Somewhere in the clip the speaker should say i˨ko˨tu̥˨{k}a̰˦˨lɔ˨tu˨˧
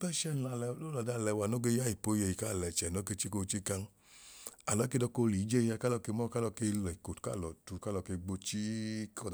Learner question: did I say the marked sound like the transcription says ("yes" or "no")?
yes